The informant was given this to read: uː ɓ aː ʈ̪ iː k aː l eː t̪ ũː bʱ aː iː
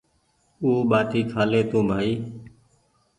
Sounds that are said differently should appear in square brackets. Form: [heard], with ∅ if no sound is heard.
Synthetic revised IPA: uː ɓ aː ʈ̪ iː [kʰ] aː l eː t̪ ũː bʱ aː iː